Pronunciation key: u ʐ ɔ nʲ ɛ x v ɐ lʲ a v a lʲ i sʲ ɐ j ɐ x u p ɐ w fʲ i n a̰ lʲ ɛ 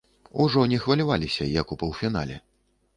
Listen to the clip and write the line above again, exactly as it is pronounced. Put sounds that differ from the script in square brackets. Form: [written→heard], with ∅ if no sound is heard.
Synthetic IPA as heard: u ʐ ɔ nʲ ɛ x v ɐ lʲ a v a lʲ i sʲ ɐ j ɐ [x→k] u p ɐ w fʲ i n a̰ lʲ ɛ